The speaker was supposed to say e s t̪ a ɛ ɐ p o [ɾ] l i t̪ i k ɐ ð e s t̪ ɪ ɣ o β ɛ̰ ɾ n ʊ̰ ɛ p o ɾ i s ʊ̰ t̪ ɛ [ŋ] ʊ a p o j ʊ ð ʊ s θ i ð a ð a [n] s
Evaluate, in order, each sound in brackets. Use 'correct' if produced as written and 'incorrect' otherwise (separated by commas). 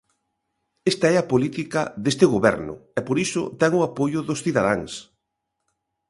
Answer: incorrect, correct, incorrect